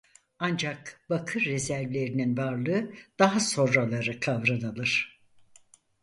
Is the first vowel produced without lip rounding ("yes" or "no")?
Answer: yes